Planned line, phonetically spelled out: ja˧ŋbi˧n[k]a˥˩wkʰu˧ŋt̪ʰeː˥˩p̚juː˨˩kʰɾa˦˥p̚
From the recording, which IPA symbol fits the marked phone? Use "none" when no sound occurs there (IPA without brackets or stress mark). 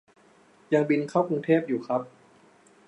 kʰ